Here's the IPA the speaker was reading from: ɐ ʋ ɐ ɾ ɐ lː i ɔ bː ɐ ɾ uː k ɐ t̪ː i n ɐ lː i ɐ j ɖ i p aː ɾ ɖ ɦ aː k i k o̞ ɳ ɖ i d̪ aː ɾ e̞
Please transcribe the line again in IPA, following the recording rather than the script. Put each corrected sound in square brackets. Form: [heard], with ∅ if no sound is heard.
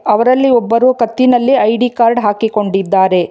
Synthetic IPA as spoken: ɐ ʋ ɐ ɾ ɐ lː i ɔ bː ɐ ɾ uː k ɐ t̪ː i n ɐ lː i ɐ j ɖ i [k] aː ɾ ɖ ɦ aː k i k o̞ ɳ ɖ i [d̪ː] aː ɾ e̞